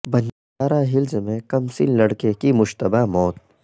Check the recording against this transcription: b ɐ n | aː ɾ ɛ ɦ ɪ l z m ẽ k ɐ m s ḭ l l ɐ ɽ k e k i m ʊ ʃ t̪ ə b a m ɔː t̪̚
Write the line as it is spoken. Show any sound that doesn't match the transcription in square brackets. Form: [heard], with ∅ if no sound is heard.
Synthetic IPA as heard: b ɐ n | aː ɾ [a] ɦ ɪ l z m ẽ k ɐ m s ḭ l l ɐ ɽ k e k i m ʊ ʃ t̪ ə b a m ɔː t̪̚